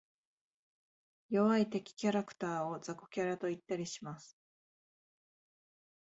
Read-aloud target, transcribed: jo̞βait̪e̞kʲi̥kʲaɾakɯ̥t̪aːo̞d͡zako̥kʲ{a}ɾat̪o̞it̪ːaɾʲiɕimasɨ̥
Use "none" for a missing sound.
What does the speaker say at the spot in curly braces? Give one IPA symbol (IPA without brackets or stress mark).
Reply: a